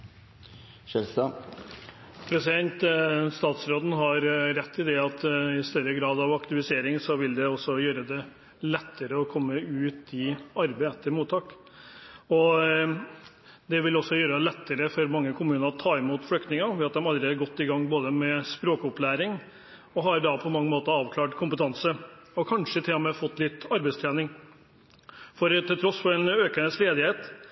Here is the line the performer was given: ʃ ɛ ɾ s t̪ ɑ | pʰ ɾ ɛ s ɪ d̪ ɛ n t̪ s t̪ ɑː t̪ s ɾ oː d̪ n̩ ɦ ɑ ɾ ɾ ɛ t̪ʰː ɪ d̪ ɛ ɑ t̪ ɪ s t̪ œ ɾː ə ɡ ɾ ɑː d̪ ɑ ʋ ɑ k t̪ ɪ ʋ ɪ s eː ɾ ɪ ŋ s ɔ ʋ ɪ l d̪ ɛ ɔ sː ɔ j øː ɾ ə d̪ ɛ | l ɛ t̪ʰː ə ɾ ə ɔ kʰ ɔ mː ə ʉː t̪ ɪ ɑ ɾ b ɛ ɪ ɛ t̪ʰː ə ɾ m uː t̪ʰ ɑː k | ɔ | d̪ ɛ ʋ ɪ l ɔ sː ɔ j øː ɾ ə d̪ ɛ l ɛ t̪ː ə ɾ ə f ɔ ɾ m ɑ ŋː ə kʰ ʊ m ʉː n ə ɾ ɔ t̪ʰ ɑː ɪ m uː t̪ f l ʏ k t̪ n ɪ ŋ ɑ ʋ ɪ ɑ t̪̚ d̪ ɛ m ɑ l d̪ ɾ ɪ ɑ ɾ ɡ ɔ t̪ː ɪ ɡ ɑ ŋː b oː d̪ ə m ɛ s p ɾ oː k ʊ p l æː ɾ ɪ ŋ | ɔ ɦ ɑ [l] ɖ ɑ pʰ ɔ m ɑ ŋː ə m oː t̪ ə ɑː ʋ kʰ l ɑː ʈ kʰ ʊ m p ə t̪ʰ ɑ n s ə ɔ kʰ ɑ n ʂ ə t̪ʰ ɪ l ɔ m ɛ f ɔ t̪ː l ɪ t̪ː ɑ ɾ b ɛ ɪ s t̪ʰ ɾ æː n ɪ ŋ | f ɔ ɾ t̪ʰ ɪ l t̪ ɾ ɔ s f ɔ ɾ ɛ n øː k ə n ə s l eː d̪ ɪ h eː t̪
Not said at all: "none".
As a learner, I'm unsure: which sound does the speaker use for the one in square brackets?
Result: ɾ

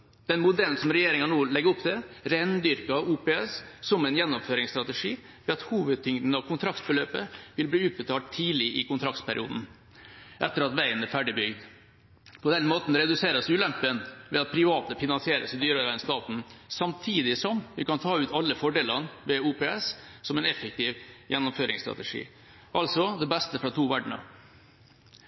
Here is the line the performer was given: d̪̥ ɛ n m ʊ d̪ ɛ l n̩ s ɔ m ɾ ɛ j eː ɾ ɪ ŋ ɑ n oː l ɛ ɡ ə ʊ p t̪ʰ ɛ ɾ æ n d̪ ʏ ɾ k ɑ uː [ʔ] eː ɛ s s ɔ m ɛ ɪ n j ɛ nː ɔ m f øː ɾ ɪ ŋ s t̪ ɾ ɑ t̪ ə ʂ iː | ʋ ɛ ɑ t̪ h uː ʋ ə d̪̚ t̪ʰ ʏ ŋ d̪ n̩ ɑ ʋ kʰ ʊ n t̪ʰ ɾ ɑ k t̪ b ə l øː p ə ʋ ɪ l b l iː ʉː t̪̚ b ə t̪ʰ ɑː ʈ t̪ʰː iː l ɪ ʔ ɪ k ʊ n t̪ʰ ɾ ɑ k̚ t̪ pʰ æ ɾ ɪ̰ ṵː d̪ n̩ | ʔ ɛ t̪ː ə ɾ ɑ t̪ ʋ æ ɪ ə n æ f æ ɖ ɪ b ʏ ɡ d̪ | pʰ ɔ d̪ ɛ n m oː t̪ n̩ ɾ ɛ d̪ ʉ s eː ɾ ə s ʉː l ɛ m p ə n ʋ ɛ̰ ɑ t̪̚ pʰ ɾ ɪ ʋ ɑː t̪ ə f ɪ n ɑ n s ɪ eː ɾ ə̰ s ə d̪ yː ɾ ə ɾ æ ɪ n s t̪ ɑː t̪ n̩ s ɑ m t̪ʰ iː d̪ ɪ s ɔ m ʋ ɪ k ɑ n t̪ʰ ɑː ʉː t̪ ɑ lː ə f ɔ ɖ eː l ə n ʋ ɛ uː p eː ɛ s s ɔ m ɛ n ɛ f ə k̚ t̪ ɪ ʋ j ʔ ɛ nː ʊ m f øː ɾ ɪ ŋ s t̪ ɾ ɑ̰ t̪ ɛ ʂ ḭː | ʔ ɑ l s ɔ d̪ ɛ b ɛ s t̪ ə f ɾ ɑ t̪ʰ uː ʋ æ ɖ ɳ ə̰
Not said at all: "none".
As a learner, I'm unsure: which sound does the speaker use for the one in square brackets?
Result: p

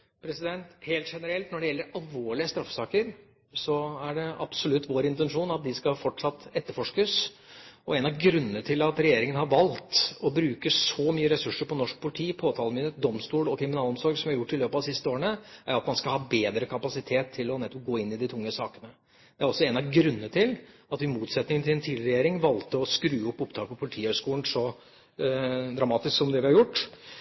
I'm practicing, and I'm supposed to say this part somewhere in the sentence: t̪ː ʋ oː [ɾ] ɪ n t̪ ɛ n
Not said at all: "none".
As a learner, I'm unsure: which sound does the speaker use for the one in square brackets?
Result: ɾ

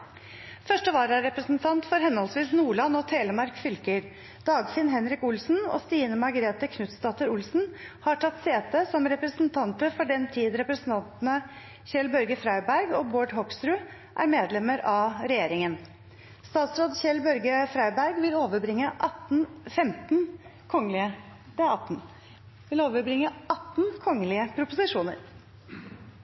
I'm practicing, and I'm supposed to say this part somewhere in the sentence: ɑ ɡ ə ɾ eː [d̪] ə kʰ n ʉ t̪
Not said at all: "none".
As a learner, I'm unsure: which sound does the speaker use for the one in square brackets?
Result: t̪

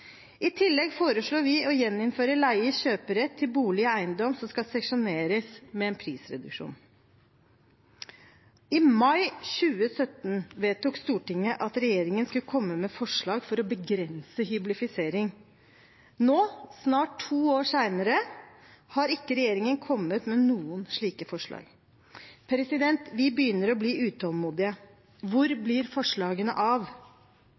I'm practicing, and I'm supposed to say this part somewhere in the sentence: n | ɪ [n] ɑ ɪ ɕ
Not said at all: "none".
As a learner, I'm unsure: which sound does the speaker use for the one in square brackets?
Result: m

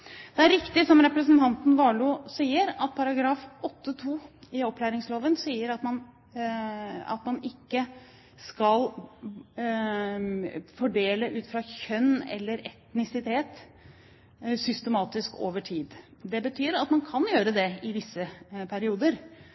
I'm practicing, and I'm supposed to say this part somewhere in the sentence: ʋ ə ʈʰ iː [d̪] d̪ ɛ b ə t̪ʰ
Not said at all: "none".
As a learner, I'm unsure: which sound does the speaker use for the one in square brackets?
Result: d̪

